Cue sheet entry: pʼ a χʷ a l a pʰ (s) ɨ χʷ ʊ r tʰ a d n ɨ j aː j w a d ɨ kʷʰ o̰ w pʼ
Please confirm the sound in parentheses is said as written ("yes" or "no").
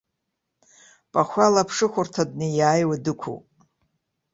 no